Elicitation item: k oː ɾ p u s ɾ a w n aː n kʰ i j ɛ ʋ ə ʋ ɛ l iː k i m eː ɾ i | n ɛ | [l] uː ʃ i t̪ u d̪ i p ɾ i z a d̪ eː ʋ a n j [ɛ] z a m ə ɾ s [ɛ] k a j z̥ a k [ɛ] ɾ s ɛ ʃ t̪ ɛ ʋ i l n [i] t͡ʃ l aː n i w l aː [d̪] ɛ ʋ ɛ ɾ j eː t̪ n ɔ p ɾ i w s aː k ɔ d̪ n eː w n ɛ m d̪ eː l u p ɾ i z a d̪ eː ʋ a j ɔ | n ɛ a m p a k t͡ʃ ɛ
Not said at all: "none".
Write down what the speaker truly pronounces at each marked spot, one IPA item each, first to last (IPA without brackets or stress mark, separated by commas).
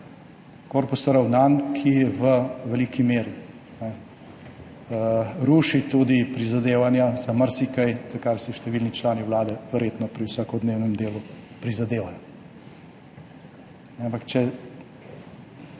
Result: ɾ, a, i, a, i, d̪